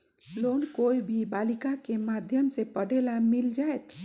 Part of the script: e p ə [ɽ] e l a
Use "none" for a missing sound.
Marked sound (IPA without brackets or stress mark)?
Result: ɽ